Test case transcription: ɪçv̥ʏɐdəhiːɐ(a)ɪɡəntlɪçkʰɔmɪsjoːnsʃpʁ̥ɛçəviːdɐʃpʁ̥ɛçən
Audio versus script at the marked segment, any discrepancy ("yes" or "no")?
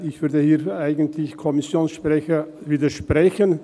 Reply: no